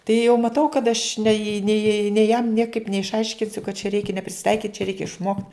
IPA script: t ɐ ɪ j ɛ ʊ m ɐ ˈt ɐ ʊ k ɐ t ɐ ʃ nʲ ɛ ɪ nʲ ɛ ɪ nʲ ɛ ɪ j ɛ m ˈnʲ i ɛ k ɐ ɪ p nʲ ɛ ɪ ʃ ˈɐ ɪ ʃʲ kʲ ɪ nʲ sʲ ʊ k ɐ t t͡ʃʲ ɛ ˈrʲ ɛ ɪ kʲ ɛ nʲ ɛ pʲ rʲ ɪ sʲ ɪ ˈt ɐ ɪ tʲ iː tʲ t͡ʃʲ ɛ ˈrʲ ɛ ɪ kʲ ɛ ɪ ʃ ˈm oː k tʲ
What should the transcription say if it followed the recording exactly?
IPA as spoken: t ɐ ɪ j ɛ ʊ m ɐ ˈt ɐ ʊ k ɐ t ɐ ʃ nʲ ɛ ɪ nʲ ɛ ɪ nʲ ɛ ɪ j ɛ m ˈnʲ i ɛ k ɐ ɪ p nʲ ɛ ɪ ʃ ˈɐ ɪ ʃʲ kʲ ɪ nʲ sʲ ʊ k ɐ t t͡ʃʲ ɛ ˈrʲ ɛ ɪ kʲ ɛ nʲ ɛ pʲ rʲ ɪ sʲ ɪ ˈt ɐ ɪ kʲ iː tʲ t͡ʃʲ ɛ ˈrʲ ɛ ɪ kʲ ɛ ɪ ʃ ˈm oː k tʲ